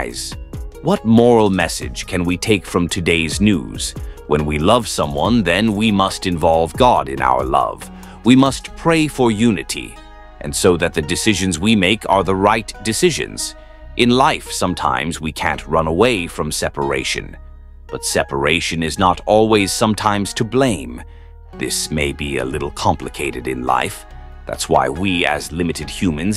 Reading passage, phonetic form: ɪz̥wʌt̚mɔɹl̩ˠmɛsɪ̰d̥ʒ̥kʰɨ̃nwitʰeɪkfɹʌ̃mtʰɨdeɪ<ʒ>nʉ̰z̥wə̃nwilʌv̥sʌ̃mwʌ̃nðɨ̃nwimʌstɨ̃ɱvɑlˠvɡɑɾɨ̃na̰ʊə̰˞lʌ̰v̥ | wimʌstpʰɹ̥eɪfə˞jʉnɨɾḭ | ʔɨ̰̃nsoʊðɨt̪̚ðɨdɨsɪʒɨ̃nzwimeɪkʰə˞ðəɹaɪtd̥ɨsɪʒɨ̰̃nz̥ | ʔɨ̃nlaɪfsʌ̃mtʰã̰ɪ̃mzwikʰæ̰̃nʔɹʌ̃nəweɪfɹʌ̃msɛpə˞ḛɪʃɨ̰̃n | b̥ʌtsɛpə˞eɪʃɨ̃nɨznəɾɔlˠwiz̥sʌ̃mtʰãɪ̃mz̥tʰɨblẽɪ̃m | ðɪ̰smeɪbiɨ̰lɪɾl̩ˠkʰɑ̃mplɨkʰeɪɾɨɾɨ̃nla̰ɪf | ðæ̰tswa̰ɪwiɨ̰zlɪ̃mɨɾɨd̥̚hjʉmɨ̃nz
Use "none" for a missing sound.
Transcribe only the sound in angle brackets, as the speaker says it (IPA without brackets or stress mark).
z